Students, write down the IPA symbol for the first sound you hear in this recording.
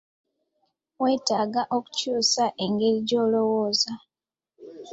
w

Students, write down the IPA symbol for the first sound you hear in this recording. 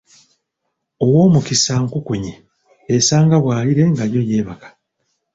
o̞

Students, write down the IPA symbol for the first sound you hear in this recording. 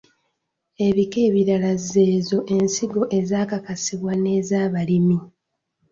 e̞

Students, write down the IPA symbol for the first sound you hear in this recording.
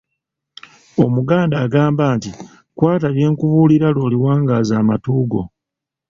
o̞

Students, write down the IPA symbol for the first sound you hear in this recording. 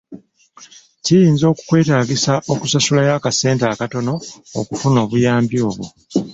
c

